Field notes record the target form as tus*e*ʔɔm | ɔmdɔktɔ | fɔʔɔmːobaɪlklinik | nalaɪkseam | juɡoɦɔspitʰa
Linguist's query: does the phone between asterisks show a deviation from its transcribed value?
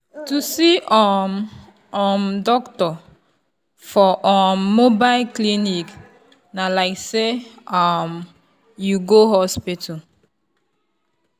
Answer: yes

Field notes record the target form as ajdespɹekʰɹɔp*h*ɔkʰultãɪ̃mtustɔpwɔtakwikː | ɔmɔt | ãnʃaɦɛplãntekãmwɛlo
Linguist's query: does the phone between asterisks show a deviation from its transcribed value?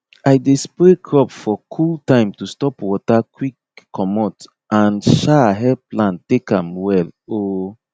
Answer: yes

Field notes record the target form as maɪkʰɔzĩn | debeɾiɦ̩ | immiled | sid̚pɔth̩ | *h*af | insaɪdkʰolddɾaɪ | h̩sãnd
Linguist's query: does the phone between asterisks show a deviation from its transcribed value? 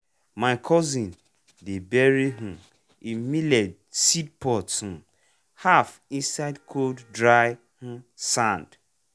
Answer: no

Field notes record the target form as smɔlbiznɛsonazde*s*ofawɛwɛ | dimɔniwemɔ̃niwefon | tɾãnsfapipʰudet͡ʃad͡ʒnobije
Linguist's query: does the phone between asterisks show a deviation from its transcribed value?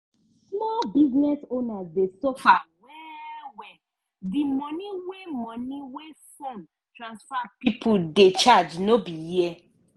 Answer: no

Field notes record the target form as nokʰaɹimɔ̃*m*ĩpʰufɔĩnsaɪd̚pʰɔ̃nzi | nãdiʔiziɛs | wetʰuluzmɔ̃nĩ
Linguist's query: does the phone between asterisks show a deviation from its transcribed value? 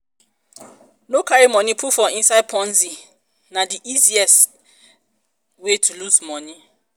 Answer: yes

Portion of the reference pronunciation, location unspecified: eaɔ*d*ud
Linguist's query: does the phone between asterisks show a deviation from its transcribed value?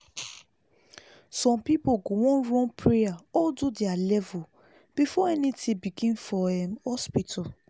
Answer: no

